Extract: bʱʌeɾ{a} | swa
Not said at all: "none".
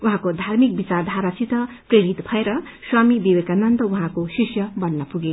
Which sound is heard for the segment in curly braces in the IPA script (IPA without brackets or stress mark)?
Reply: ʌ